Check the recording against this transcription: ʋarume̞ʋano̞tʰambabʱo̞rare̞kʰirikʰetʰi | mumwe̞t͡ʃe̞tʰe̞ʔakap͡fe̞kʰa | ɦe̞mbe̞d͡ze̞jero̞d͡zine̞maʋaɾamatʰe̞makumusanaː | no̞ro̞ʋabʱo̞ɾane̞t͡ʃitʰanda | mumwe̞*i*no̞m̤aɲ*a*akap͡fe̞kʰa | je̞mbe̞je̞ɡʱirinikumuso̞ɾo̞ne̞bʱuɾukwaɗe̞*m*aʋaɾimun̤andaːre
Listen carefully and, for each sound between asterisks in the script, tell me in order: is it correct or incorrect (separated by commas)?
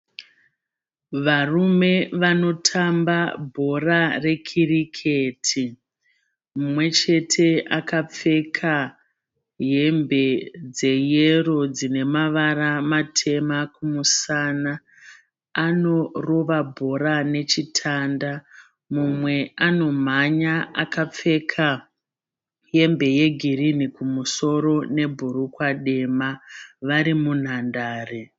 incorrect, correct, correct